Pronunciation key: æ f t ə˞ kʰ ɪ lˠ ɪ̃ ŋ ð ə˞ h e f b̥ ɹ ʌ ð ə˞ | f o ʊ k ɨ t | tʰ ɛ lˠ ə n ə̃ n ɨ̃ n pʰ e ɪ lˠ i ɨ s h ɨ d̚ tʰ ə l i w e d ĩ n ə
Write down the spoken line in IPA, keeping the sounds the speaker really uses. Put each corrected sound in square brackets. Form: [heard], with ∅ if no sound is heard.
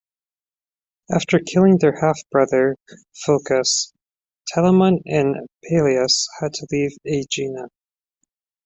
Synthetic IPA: æ f t ə˞ kʰ ɪ lˠ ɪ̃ ŋ ð ə˞ h [æ] f b̥ ɹ ʌ ð ə˞ | f o ʊ k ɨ [s] | tʰ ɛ lˠ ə [m] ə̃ n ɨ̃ n pʰ e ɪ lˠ i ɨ s h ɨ d̚ tʰ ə l i [v] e [d͡ʒ] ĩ n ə